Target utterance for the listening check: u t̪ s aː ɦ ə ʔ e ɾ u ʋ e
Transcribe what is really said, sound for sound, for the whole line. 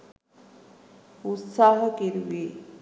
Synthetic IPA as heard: u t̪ s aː ɦ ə k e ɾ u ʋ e